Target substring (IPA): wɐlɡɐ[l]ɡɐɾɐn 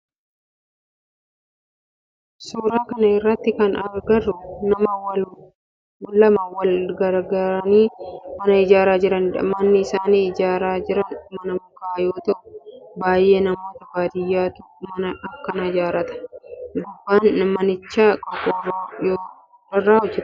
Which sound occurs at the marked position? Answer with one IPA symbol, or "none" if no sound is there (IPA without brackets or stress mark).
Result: ɾ